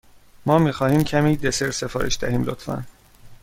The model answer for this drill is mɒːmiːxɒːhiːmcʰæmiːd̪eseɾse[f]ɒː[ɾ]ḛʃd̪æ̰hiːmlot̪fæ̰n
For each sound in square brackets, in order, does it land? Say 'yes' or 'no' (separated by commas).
yes, yes